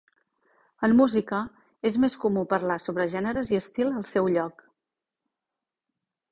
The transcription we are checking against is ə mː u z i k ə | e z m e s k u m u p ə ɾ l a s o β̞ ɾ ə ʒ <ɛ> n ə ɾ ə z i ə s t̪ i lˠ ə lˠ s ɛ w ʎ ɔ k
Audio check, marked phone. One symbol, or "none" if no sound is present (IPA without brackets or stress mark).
ɛ